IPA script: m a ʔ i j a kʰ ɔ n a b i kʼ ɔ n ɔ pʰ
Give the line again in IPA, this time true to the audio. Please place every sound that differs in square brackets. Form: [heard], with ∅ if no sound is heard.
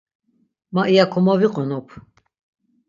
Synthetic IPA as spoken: m a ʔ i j a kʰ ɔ [m] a [v] i [qʼ] ɔ n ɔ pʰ